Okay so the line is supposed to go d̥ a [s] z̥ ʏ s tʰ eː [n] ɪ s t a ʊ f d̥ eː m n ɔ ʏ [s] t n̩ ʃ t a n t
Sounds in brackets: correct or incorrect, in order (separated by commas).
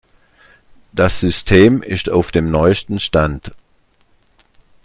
correct, incorrect, correct